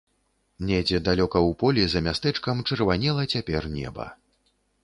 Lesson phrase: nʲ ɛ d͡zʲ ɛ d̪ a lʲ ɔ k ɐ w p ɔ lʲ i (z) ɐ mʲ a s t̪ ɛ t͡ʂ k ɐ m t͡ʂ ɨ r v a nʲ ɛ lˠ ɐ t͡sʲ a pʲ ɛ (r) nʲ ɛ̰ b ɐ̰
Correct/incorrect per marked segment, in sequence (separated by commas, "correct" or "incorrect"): correct, correct